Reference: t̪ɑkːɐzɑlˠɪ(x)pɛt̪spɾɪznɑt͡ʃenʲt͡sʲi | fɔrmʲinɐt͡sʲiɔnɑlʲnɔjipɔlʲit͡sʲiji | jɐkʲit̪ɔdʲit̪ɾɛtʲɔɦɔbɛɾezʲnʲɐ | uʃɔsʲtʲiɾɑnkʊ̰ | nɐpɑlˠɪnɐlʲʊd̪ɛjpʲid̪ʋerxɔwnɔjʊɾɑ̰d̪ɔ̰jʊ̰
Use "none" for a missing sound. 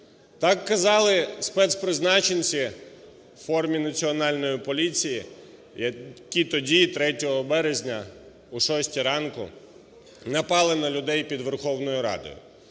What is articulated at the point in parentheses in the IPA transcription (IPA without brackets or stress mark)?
s